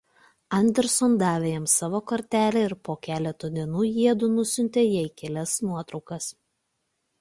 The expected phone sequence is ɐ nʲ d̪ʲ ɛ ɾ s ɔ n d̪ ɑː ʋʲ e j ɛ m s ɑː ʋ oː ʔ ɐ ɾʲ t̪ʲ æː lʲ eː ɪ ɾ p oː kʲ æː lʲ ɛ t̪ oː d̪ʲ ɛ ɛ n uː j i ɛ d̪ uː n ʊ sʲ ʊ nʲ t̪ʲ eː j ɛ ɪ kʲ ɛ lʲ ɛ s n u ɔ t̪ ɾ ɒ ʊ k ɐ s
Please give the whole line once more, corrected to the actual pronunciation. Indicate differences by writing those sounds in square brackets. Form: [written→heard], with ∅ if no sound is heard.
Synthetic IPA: ɐ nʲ d̪ʲ ɛ ɾ s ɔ n d̪ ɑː ʋʲ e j ɛ m s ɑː ʋ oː [ʔ→k] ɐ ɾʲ t̪ʲ æː lʲ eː ɪ ɾ p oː kʲ æː lʲ ɛ t̪ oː d̪ʲ [ɛ→i] ɛ n uː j i ɛ d̪ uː n ʊ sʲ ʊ nʲ t̪ʲ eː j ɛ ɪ kʲ ɛ lʲ ɛ s n u ɔ t̪ ɾ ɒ ʊ k ɐ s